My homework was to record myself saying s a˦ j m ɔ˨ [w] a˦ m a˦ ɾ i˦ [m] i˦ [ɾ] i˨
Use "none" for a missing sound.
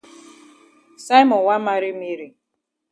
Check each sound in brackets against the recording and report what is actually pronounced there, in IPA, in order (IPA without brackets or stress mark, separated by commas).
w, m, ɾ